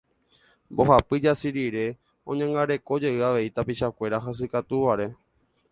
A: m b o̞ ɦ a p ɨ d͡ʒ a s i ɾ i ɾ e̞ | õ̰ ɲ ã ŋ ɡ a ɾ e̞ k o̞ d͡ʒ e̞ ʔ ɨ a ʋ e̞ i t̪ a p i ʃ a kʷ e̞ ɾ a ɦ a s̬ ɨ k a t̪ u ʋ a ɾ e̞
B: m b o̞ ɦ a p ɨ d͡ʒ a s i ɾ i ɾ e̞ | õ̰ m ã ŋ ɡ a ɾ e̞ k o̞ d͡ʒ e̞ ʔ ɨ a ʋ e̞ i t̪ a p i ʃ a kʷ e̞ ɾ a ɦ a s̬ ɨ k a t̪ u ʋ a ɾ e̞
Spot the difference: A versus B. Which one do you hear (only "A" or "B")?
A